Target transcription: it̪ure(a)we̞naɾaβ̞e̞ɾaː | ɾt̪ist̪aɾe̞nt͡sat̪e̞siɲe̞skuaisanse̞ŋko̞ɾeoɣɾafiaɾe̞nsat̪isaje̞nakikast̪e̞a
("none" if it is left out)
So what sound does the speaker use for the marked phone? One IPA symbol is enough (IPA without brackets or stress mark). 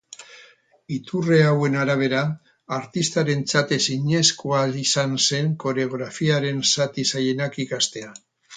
a